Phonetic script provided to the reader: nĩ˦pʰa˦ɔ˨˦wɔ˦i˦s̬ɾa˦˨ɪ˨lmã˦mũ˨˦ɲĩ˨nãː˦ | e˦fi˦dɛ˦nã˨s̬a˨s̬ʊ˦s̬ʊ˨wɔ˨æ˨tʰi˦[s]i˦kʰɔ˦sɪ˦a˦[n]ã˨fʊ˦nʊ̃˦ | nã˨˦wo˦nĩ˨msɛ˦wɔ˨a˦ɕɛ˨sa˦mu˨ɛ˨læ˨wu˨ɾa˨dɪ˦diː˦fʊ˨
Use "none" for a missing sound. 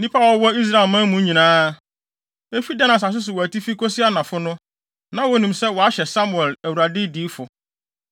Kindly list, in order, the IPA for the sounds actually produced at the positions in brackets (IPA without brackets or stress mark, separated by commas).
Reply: f, n